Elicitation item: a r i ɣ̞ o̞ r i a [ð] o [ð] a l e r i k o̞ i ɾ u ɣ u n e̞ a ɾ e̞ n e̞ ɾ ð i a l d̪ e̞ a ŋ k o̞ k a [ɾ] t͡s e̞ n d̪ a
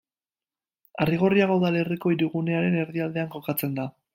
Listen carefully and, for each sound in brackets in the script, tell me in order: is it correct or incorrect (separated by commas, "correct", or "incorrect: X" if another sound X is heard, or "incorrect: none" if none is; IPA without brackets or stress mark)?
incorrect: ɣ, correct, incorrect: none